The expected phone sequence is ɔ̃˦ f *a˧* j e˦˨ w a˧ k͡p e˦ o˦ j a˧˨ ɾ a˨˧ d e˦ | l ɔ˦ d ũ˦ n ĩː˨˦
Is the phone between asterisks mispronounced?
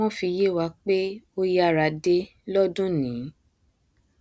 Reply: yes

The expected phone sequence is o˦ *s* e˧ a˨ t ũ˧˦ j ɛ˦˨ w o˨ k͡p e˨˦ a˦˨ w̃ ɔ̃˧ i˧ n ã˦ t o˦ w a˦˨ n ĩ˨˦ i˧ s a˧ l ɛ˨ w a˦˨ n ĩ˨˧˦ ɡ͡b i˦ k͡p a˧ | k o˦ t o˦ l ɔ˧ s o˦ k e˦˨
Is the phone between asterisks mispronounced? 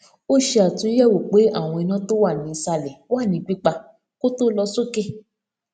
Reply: yes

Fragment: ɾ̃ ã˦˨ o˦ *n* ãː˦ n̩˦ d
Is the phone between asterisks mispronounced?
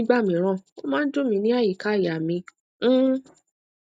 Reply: yes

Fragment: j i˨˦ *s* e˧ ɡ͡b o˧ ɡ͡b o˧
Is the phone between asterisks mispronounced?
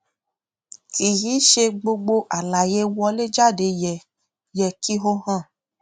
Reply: yes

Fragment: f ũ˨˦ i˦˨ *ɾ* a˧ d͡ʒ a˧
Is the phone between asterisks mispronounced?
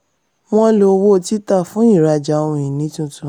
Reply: no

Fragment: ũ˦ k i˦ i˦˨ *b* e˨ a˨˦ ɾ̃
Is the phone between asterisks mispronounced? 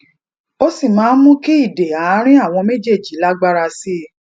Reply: yes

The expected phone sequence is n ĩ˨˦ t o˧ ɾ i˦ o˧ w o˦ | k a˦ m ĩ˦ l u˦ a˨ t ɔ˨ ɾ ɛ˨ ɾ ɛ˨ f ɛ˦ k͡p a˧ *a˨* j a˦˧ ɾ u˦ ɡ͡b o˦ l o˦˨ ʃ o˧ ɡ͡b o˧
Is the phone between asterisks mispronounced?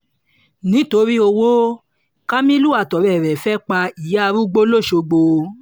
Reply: yes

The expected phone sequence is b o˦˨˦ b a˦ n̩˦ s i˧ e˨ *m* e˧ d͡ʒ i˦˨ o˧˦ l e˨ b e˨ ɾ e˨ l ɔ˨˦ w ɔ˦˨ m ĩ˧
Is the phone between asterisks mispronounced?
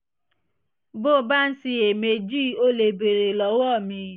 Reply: no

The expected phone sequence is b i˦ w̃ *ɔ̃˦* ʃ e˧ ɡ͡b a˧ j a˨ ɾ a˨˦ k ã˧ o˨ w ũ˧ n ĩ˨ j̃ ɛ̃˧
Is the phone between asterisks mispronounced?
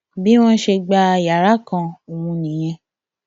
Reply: no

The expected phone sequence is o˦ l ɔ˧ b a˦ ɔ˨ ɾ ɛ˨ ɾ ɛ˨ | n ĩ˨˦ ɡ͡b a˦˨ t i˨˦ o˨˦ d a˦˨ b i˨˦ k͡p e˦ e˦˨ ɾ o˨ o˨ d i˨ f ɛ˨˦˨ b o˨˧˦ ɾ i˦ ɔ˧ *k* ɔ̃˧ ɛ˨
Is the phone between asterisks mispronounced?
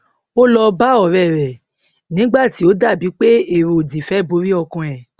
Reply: no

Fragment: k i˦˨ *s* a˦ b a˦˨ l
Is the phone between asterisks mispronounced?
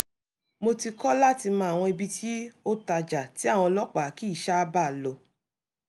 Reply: yes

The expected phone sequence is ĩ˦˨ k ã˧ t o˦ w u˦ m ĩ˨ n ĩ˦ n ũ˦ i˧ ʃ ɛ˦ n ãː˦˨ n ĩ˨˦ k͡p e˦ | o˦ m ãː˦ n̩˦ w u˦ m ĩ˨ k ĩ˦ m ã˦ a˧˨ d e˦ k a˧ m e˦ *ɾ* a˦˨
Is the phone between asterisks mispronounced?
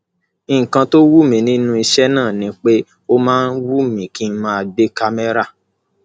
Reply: no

